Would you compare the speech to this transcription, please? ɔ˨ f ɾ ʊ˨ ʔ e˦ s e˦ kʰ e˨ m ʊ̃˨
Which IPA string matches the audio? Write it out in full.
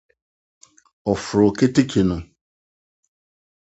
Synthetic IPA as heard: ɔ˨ f ɾ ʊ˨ k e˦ t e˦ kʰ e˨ n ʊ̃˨